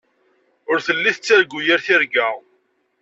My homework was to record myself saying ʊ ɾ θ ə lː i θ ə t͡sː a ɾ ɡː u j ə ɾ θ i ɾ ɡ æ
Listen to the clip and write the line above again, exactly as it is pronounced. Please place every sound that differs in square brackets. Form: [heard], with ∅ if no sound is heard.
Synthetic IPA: ʊ ɾ θ ə lː i θ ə t͡sː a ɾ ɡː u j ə ɾ θ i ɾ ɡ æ